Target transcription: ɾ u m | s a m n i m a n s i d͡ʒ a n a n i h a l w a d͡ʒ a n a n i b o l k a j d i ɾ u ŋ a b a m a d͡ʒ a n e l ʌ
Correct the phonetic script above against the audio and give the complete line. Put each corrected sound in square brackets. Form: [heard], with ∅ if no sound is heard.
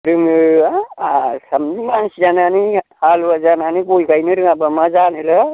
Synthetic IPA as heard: ɾ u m | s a m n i m a n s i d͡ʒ a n a n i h a l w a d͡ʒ a n a n i b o l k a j [n] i ɾ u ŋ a b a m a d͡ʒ a n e l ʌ